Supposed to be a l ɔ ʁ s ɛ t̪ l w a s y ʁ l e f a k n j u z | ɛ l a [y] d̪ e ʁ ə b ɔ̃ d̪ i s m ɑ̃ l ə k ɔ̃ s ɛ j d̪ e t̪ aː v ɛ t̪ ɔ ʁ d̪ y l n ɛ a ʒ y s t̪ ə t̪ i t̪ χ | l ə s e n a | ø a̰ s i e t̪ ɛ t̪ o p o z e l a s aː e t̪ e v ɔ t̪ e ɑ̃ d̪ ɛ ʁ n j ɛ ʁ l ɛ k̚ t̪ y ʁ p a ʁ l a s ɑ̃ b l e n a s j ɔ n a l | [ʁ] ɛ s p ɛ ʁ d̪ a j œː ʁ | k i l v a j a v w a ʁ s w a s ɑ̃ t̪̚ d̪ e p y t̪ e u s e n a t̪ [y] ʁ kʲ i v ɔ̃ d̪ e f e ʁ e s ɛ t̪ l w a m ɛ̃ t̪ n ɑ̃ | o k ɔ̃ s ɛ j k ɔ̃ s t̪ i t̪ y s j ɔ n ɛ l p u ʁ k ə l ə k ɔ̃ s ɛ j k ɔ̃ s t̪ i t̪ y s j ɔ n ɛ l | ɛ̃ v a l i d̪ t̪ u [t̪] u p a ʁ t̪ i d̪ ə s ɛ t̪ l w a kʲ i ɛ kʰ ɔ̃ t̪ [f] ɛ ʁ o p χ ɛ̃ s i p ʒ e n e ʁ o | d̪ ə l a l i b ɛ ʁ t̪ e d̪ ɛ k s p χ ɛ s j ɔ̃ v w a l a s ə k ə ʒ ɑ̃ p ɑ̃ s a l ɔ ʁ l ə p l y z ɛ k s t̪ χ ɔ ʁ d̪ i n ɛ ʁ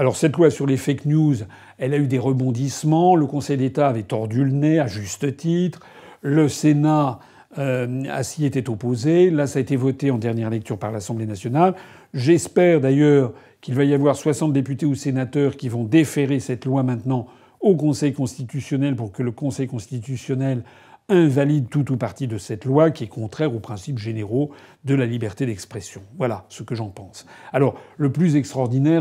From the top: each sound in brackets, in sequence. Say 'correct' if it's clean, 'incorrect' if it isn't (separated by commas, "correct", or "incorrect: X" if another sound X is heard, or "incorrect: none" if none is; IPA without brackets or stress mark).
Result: correct, incorrect: ʒ, incorrect: œ, correct, incorrect: χ